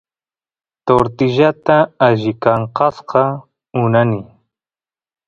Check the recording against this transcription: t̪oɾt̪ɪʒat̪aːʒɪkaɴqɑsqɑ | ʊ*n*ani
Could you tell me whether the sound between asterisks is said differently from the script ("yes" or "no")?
no